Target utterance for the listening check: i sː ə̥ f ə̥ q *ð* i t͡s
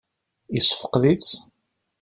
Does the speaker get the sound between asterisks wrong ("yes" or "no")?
no